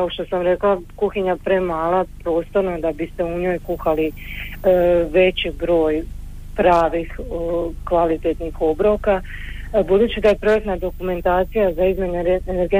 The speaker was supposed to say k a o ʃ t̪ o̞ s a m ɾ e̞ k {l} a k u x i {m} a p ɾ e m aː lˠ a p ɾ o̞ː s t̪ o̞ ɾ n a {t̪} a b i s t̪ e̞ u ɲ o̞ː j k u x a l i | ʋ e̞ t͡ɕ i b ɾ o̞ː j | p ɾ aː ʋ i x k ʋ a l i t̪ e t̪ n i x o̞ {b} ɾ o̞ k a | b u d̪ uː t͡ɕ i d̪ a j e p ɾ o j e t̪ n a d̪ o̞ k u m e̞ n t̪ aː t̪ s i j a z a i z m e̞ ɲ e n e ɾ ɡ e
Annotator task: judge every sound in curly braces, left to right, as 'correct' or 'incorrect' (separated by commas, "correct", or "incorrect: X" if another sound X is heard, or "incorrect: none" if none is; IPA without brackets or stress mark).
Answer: correct, incorrect: ɲ, incorrect: d̪, correct